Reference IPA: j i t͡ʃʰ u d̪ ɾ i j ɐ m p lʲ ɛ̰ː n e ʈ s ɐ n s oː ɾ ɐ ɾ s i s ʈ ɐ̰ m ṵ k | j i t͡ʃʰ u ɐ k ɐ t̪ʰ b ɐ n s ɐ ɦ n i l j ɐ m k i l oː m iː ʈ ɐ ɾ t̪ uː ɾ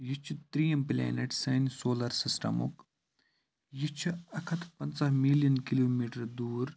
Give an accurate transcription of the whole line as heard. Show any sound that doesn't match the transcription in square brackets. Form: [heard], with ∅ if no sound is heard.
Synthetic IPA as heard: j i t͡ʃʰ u [t̪] ɾ i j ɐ m p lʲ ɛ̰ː n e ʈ s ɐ n s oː [l] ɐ ɾ s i s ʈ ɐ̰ m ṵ k | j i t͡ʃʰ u ɐ [kʰ] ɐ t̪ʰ [p] ɐ n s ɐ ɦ [m] i l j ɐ [n] k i l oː m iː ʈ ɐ ɾ [d̪] uː ɾ